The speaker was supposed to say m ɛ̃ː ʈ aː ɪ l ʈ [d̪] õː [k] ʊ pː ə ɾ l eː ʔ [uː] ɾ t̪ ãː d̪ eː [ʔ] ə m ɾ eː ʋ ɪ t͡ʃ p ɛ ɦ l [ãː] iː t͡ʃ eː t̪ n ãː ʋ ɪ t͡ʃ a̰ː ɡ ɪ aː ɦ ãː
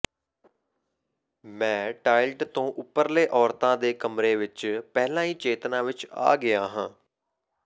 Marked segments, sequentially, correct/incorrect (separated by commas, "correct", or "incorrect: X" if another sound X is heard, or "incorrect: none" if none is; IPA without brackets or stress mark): incorrect: t̪, incorrect: ʔ, incorrect: ɔː, incorrect: k, correct